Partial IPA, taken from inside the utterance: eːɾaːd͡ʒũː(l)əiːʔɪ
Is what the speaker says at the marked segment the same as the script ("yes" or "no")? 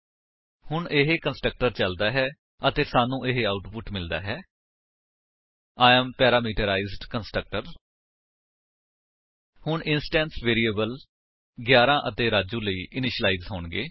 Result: yes